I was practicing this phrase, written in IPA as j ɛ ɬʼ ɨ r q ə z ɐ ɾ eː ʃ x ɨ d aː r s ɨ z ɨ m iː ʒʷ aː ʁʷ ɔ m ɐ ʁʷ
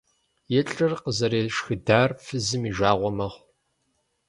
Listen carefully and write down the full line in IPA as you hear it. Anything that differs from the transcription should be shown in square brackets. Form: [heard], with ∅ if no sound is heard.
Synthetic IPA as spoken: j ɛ ɬʼ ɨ r q ə z ɐ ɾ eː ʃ x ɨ d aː r [f] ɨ z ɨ m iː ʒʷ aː ʁʷ ɔ m ɐ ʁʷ